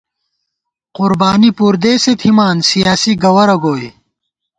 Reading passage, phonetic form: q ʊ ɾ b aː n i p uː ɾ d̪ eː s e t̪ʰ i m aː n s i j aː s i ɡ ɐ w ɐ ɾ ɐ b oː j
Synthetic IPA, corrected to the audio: q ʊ ɾ b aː n i p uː ɾ d̪ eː s e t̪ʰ i m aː n s i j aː s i ɡ ɐ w ɐ ɾ ɐ ɡ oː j